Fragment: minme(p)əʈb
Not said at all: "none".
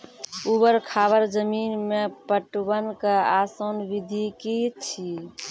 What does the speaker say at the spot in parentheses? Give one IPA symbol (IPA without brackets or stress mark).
p